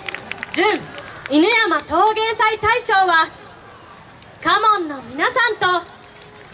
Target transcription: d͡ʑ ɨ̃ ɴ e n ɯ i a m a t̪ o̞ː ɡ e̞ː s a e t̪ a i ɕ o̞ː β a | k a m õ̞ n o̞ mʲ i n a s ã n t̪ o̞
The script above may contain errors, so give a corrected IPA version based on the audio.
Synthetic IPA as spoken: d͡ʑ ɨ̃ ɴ i n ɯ j a m a t̪ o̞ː ɡ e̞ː s a i t̪ a i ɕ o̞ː β a | k a m õ̞ nː o̞ mʲ i n a s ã n t̪ o̞